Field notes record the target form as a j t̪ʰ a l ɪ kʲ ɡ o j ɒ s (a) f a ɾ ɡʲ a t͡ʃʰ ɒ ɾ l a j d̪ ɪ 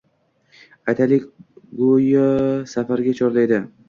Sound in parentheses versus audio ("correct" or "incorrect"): correct